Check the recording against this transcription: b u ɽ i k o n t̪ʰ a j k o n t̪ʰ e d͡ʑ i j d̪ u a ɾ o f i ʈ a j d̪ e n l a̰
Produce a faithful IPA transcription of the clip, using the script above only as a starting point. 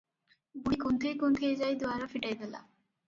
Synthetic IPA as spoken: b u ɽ i k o n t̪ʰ e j k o n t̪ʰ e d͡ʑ a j d̪ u a ɾ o f i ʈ a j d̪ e l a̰